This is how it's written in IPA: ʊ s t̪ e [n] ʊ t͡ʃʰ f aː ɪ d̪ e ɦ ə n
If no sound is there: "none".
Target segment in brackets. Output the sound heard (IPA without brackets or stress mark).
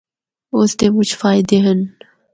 m